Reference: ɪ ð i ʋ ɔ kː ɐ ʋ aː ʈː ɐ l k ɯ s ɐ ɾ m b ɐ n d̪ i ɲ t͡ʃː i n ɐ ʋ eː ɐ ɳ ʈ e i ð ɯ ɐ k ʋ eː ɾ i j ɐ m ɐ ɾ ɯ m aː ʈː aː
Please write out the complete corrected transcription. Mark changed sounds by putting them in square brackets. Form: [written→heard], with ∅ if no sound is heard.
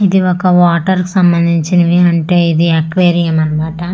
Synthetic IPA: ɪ ð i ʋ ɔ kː ɐ ʋ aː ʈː ɐ [l→ɾ] k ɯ s ɐ [ɾ→∅] m b ɐ n d̪ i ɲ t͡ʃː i n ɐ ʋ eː ɐ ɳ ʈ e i ð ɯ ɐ k ʋ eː ɾ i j ɐ m ɐ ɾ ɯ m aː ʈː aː